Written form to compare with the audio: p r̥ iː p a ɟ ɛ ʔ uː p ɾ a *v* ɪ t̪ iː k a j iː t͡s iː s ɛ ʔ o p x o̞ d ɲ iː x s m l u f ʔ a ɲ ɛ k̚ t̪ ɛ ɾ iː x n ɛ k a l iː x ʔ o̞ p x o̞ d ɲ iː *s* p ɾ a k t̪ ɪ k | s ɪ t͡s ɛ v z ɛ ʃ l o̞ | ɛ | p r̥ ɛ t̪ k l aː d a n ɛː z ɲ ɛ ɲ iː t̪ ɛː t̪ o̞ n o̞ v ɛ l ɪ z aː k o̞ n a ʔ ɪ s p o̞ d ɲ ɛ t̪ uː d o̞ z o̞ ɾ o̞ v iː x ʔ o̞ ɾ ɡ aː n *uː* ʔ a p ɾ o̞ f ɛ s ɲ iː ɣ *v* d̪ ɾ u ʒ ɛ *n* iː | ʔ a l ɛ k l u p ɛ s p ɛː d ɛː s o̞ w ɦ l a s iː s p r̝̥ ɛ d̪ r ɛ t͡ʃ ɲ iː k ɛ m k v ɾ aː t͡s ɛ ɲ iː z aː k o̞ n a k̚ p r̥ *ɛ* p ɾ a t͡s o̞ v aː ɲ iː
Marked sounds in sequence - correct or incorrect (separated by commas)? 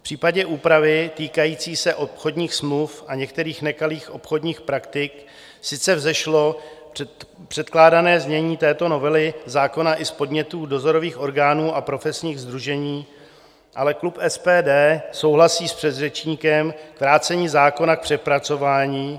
correct, incorrect, correct, incorrect, incorrect, correct